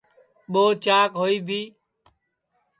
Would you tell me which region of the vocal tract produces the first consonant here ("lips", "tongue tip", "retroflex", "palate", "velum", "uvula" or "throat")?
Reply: lips